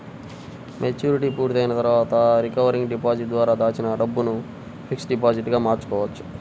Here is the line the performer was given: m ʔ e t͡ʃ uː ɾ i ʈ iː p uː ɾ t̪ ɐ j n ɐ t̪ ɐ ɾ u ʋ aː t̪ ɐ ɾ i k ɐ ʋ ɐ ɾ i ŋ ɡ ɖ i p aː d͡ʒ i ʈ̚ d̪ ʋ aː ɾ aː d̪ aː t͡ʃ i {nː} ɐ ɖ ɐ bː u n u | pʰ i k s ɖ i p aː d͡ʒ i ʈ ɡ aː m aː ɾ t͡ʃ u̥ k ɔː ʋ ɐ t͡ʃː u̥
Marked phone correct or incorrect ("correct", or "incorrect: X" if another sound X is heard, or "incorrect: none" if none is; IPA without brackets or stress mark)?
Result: incorrect: n